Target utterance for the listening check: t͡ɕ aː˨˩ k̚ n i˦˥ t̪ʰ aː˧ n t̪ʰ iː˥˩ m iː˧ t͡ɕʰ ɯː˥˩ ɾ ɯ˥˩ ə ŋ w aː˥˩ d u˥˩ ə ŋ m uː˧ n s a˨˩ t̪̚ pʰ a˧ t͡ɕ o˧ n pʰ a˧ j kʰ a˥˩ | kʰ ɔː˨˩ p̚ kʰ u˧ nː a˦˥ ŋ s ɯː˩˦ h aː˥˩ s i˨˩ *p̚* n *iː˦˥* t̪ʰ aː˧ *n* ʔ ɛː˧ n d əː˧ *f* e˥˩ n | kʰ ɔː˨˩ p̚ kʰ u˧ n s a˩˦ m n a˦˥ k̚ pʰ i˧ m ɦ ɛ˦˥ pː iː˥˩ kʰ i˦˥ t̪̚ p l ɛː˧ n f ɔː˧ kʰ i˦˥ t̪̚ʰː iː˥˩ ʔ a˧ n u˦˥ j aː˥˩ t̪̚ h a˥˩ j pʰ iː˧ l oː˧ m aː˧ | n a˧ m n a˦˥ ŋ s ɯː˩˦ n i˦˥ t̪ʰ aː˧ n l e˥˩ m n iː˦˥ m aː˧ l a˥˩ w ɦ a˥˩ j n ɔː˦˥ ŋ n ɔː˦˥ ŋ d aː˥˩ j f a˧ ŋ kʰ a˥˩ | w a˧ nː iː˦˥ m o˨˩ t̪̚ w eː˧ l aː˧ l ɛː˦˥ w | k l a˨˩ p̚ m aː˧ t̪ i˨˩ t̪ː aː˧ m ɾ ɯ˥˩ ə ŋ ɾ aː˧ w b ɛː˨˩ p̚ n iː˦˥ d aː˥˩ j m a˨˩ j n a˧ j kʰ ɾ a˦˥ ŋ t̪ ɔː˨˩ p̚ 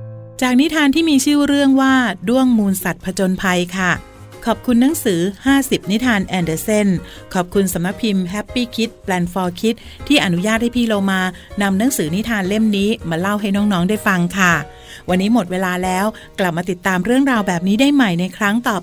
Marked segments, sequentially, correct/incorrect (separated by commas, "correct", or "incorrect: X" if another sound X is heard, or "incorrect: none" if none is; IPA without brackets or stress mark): correct, incorrect: i˦˥, correct, incorrect: s